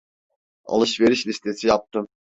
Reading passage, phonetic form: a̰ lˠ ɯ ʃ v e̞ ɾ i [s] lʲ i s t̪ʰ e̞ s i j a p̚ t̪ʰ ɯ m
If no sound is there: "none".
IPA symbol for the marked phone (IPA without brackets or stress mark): ʃ